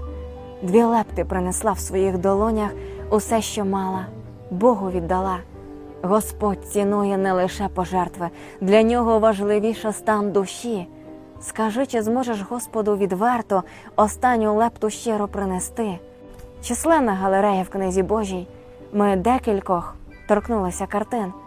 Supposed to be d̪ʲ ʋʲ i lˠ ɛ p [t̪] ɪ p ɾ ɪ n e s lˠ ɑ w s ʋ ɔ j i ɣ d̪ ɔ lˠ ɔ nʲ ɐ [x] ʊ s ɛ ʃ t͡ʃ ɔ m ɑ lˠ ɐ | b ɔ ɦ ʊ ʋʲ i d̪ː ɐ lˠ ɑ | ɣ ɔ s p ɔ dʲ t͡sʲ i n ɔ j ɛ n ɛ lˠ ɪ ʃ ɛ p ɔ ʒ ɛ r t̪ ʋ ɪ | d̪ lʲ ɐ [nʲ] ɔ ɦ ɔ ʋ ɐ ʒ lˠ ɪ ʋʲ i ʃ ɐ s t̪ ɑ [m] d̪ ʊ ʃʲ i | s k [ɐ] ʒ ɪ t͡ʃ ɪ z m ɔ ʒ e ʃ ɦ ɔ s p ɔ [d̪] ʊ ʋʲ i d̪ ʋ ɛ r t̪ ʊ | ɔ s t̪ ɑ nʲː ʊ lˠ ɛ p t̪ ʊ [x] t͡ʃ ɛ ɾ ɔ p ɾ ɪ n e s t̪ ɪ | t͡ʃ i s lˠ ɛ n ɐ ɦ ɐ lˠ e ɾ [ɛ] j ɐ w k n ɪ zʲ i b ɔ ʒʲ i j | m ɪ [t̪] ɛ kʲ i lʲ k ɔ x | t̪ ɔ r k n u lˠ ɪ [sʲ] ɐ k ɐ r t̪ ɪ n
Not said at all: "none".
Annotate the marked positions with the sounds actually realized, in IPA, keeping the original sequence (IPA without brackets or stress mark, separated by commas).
t̪, x, nʲ, n, ɐ, d̪, ʃ, ɛ, d̪, sʲ